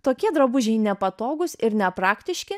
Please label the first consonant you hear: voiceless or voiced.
voiceless